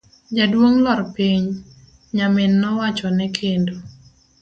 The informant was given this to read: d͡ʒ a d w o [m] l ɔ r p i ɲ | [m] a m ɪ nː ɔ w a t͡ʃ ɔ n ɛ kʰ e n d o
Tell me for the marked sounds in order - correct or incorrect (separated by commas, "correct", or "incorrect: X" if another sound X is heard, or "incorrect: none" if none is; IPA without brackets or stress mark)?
incorrect: ŋ, incorrect: ɲ